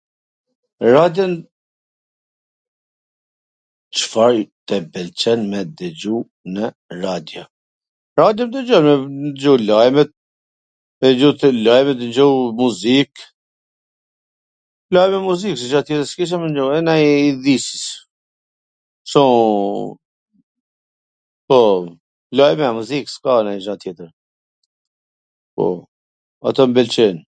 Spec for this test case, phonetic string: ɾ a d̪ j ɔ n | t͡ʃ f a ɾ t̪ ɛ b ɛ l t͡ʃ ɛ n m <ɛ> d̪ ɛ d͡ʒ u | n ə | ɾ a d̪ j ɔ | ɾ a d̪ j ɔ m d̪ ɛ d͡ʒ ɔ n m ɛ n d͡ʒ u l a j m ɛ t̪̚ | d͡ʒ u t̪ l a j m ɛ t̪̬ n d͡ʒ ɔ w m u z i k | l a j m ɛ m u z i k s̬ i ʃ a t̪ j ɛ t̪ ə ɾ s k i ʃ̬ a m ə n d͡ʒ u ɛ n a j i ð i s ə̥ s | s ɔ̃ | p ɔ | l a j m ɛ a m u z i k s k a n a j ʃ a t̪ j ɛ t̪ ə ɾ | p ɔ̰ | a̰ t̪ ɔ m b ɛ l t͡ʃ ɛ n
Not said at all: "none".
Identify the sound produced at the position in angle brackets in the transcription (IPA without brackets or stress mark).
ɛ